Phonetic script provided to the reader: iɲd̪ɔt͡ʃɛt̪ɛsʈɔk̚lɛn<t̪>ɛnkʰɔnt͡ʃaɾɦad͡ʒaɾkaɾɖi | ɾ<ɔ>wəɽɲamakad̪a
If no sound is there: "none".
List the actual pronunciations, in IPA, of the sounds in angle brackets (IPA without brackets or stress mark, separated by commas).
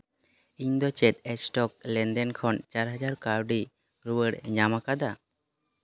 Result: d̪, u